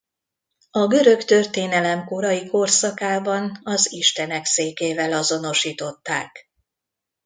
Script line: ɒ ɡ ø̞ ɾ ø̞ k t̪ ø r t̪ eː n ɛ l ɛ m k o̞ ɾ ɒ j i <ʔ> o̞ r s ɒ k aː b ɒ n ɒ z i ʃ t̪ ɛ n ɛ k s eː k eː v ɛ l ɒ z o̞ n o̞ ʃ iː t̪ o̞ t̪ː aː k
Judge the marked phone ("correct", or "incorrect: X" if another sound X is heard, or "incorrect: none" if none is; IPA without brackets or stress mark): incorrect: k